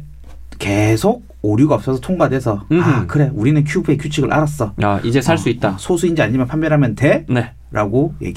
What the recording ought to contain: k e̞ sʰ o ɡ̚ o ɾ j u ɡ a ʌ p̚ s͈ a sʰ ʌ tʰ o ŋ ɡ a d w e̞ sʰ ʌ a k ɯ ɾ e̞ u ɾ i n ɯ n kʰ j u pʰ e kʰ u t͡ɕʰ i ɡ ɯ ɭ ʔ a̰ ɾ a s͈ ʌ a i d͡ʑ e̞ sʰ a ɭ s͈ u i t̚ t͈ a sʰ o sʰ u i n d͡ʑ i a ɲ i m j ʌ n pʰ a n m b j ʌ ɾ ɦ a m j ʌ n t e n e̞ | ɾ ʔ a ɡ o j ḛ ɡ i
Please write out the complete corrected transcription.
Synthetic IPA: k e̞ sʰ o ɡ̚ o ɾ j u ɡ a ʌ p̚ s͈ ʌ sʰ ʌ tʰ o ŋ ɡ a d w e̞ sʰ ʌ a k ɯ ɾ e̞ u ɾ i n ɯ n kʰ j u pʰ e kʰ u t͡ɕʰ i ɡ ɯ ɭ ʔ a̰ ɾ a s͈ ʌ a i d͡ʑ e̞ sʰ a ɭ s͈ u i t̚ t͈ a sʰ o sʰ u i n d͡ʑ i a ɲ i m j ʌ n pʰ a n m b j ʌ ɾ ɦ a m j ʌ n t e n e̞ | ɾ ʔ a ɡ o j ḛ ɡ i